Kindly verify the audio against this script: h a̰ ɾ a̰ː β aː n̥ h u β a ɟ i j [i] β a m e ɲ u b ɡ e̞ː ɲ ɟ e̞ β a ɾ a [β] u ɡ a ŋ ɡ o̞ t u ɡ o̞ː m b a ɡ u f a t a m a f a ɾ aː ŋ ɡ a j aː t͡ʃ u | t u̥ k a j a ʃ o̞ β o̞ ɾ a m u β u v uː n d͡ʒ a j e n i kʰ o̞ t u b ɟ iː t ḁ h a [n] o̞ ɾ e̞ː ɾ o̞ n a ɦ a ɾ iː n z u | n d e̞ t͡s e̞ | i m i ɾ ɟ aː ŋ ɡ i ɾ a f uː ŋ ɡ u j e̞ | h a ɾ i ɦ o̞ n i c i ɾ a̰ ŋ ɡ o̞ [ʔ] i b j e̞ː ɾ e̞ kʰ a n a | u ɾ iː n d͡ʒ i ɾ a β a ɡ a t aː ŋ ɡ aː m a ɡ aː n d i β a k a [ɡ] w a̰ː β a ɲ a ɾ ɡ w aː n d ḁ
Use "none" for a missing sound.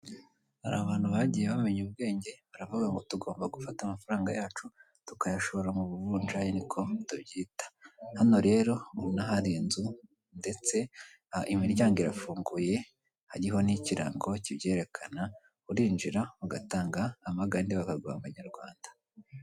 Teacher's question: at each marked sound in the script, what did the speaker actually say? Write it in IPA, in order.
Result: e, v, n, c, ɡ

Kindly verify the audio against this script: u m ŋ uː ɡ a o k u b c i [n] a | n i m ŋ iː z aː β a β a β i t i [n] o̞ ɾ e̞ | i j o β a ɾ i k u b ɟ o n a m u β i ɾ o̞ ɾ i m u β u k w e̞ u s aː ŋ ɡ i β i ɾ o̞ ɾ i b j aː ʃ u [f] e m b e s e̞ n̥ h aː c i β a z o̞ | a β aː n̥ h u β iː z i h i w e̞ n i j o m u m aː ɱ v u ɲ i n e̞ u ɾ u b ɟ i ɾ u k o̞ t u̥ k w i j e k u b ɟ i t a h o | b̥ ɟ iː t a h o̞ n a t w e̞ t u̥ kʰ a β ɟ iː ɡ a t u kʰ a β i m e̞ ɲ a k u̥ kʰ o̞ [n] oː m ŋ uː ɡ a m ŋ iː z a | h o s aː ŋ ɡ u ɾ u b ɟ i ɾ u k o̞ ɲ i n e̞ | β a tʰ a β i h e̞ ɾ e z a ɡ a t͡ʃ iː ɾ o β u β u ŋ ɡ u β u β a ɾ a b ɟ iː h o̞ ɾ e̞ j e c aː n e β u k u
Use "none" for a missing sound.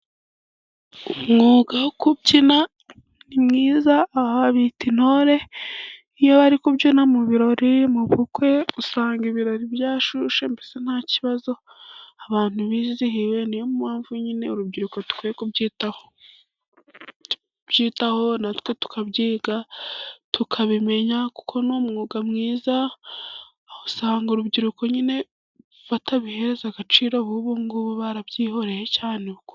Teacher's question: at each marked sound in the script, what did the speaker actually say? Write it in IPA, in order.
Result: n, n, ʃ, n

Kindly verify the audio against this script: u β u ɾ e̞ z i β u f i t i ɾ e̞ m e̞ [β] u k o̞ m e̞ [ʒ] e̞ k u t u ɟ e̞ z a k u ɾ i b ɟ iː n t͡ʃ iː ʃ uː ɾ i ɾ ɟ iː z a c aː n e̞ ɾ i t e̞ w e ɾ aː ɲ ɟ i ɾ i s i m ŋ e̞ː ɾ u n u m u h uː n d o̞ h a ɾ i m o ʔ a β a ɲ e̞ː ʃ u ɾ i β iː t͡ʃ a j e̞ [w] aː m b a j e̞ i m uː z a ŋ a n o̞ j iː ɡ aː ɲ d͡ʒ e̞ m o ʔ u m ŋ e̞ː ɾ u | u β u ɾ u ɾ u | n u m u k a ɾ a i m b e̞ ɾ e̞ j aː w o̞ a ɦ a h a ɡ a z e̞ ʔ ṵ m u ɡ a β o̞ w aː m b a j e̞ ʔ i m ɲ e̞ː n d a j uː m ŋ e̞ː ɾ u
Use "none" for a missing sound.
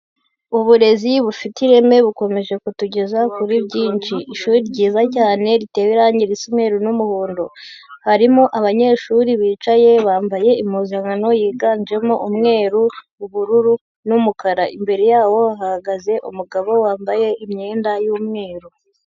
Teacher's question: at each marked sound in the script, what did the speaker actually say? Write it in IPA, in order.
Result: β, ʒ, β

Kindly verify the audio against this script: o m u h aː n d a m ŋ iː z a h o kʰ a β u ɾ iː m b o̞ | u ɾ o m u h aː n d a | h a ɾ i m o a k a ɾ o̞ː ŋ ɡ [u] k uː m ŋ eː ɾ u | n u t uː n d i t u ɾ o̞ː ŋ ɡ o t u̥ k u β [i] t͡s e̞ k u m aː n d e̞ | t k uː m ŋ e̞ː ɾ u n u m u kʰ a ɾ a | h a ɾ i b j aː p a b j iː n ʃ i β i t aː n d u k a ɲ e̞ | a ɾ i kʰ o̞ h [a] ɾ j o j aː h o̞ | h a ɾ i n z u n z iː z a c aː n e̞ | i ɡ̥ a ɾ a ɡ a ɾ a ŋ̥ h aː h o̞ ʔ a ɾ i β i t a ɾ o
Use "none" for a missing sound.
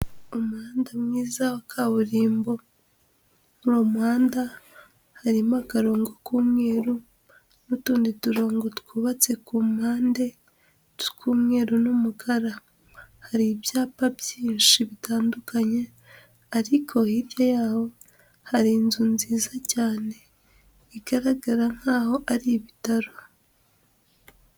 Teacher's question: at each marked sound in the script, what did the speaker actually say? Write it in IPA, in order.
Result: o, a, i

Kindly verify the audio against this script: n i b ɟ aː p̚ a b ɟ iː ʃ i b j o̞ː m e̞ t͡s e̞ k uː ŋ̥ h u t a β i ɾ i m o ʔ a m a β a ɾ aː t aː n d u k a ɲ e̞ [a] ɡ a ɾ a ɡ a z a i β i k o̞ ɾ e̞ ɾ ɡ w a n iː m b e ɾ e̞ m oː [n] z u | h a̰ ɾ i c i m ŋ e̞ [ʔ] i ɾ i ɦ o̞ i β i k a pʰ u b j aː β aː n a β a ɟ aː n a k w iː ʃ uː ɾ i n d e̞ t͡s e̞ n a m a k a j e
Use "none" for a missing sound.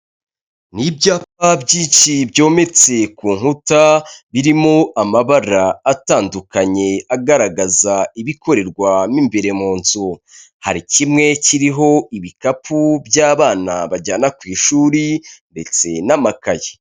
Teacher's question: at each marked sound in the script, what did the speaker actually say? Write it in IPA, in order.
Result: a, n, c

